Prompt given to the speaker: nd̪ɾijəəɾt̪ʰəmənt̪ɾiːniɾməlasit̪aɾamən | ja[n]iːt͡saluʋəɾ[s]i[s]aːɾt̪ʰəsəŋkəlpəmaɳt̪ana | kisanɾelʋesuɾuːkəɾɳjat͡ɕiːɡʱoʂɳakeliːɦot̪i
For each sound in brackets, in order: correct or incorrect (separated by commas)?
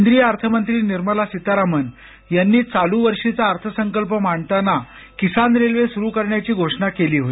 incorrect, incorrect, incorrect